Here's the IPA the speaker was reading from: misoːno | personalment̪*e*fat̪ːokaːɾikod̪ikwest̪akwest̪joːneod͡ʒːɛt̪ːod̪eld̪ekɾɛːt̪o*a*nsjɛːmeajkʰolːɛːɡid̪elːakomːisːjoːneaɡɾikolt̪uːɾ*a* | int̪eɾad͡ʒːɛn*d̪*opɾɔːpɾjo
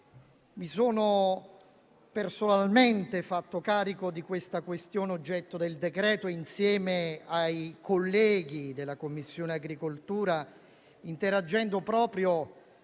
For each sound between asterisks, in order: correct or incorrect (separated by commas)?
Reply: correct, incorrect, correct, correct